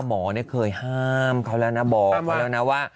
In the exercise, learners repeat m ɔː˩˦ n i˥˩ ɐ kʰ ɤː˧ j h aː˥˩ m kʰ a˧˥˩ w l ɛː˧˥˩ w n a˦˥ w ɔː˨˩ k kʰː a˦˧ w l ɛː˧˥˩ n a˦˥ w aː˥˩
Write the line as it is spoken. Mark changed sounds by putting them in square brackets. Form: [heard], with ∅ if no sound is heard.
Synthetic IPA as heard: m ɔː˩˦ n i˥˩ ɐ kʰ ɤː˧ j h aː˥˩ m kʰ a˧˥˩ w l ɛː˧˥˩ w n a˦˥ [b] ɔː˨˩ k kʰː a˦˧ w l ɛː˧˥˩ n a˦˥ w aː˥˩